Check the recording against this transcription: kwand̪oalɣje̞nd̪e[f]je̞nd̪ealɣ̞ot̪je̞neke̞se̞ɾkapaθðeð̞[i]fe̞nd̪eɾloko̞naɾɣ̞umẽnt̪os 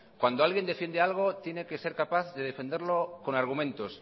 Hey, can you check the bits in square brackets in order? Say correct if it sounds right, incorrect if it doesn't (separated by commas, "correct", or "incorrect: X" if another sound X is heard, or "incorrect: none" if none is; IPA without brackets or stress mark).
correct, incorrect: e